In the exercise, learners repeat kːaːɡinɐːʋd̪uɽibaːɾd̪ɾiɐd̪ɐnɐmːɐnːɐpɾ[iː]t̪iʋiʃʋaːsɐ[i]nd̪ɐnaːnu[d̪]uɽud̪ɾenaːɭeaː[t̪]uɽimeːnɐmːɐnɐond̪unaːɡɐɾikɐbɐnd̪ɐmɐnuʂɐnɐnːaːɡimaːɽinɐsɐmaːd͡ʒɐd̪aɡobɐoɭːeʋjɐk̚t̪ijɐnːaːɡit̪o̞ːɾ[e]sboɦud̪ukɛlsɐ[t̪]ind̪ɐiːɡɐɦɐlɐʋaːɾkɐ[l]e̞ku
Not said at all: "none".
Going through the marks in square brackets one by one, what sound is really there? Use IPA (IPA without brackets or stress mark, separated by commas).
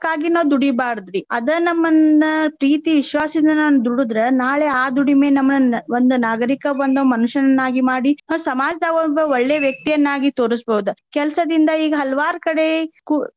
iː, i, d̪, d̪, i, d̪, ɽ